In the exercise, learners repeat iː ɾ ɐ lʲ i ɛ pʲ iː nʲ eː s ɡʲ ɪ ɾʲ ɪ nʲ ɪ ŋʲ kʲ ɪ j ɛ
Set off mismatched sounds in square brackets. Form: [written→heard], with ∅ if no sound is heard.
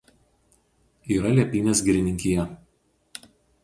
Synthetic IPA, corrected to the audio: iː ɾ ɐ lʲ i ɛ pʲ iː nʲ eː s ɡʲ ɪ ɾʲ ɪ nʲ ɪ ŋʲ kʲ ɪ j ɛ